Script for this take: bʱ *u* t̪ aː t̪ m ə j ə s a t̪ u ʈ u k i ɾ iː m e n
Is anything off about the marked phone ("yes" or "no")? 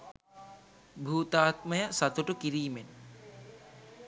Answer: yes